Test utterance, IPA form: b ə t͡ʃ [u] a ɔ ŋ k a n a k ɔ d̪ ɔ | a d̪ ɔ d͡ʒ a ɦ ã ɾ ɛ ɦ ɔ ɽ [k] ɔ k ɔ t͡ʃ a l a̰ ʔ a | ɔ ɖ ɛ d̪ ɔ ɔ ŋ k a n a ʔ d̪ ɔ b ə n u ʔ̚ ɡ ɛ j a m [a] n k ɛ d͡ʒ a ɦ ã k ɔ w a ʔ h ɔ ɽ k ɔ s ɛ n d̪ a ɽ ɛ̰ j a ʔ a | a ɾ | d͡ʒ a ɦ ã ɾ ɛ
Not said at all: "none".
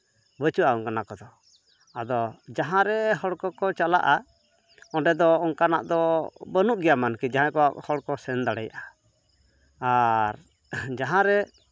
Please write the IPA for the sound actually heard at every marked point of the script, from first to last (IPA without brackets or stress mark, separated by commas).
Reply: u, k, a